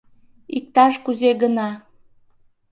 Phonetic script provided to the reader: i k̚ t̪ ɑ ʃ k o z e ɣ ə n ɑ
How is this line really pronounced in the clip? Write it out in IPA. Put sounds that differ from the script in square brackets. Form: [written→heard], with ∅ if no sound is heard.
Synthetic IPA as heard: i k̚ t̪ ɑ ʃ k [o→u] z e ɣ ə n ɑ

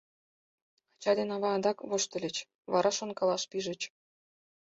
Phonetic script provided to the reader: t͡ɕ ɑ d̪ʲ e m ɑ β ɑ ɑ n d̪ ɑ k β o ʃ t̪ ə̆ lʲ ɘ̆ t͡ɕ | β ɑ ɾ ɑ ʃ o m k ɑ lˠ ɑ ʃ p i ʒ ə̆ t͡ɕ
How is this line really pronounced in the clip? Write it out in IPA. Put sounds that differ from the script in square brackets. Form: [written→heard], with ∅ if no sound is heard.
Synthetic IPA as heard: t͡ɕ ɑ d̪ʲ e [m→n] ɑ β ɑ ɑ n d̪ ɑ k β o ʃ t̪ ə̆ lʲ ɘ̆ t͡ɕ | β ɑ ɾ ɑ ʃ o [m→n] k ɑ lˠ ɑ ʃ p i ʒ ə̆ t͡ɕ

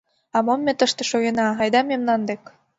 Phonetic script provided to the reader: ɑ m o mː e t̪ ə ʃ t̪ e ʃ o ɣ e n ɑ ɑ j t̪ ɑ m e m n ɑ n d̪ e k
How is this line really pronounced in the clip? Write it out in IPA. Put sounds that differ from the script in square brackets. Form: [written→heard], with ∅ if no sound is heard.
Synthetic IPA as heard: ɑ m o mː e t̪ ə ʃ t̪ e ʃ o ɣ e n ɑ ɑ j [t̪→d̪] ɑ m e m n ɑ n d̪ e k

